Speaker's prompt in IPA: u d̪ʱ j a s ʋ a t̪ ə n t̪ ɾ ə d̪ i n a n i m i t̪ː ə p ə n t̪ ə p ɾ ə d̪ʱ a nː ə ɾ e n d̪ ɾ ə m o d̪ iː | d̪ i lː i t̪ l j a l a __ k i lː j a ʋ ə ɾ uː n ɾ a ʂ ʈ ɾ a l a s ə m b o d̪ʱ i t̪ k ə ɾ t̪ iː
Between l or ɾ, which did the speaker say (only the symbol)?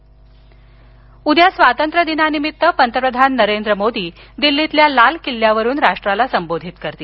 l